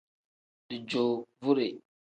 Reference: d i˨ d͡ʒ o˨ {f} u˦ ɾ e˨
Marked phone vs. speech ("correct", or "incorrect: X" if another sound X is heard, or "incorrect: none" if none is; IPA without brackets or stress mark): incorrect: v